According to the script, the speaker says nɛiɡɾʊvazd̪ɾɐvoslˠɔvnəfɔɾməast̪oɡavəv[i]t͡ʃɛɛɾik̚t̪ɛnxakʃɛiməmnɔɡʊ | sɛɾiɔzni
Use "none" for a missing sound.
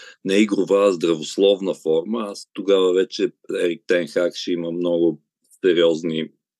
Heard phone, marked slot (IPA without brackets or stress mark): ɛ